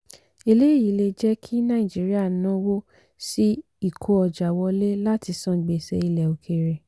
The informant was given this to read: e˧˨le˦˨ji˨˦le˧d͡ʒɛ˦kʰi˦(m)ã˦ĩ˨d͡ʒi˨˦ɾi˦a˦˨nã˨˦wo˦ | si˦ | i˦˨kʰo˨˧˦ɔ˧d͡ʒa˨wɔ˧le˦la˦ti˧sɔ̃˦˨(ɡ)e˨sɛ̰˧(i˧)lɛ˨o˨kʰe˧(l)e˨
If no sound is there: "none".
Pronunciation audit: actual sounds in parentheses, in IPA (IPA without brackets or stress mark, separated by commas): n, ɡ͡b, i˧, ɾ